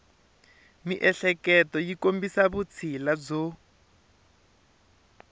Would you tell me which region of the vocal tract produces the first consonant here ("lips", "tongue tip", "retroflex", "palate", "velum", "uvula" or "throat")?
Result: lips